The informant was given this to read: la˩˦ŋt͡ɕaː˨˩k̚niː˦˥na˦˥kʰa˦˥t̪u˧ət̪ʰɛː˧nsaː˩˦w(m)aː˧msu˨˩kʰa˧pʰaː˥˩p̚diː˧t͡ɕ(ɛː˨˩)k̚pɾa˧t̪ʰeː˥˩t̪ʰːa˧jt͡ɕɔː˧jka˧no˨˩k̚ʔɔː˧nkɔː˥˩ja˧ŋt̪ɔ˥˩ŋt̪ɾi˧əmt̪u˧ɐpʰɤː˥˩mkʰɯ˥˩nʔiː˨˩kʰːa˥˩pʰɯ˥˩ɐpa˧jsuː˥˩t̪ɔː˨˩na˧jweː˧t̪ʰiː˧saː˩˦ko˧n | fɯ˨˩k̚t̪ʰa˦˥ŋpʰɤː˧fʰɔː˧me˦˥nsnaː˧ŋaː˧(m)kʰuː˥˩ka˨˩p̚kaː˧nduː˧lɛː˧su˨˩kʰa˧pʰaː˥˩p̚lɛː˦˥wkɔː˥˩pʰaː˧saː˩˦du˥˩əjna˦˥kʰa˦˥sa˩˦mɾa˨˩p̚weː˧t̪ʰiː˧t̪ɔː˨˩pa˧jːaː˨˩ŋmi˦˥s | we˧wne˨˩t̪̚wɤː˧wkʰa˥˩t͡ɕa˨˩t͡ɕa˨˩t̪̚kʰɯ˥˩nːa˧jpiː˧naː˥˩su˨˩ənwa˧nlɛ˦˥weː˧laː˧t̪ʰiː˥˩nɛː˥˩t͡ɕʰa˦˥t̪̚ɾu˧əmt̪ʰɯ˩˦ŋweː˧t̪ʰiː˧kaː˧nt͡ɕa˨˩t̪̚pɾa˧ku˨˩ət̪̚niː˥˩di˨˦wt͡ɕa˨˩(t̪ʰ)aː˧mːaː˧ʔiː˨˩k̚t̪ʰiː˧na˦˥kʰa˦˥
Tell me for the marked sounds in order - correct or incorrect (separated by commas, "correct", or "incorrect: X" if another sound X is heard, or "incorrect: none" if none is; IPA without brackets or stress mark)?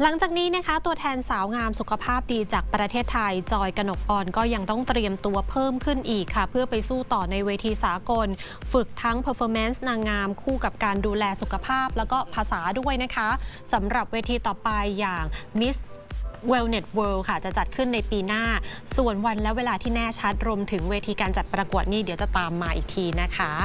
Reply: incorrect: ŋ, incorrect: aː˨˩, correct, incorrect: t̪